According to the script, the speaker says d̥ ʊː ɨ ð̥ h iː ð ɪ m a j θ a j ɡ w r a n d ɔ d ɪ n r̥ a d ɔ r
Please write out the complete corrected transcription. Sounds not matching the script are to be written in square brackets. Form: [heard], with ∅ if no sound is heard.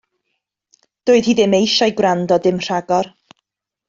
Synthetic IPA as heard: d̥ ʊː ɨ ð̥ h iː ð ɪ m [e] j [ʃ] a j ɡ w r a n d ɔ d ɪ [m] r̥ a [ɡ] ɔ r

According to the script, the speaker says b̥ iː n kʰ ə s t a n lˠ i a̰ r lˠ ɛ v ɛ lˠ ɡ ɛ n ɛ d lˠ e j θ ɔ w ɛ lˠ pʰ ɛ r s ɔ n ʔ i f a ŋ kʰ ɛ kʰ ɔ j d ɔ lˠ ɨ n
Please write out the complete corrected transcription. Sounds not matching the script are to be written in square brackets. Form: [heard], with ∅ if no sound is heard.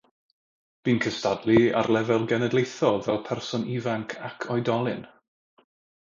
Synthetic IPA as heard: b̥ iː n kʰ ə s t a [d] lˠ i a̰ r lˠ ɛ v ɛ lˠ ɡ ɛ n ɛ d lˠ e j θ ɔ [v] ɛ lˠ pʰ ɛ r s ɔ n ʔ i [v] a ŋ kʰ [a] kʰ ɔ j d ɔ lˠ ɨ n

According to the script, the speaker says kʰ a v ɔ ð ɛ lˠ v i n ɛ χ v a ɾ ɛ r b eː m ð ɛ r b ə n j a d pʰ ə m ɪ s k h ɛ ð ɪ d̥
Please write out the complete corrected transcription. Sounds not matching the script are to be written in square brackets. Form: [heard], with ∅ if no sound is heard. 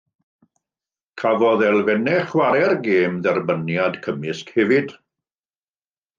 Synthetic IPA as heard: kʰ a v ɔ ð ɛ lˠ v [ɛ] n ɛ χ [w] a ɾ ɛ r [ɡ] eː m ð ɛ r b ə n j a d [kʰ] ə m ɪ s k h ɛ [v] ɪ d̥

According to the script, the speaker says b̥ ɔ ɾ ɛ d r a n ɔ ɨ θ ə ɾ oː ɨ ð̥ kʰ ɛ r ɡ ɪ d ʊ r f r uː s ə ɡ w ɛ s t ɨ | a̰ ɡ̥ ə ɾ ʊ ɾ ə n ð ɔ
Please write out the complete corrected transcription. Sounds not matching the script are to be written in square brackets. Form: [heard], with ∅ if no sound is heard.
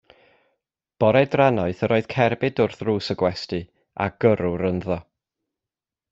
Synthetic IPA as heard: b̥ ɔ ɾ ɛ d r a n ɔ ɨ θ ə ɾ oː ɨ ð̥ kʰ ɛ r [b] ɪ d ʊ r [θ] r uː s ə ɡ w ɛ s t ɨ | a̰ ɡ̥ ə ɾ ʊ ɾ ə n ð ɔ

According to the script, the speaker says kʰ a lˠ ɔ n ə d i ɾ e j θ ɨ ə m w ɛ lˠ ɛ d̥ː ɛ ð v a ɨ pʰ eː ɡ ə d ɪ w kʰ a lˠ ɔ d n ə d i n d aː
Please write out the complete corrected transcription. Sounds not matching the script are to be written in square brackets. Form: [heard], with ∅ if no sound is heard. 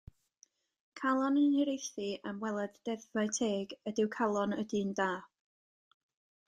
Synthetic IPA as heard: kʰ a lˠ ɔ n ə [n] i ɾ e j θ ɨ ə m w ɛ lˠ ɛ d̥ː ɛ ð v a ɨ [tʰ] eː ɡ ə d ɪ w kʰ a lˠ ɔ [∅] n ə d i n d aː

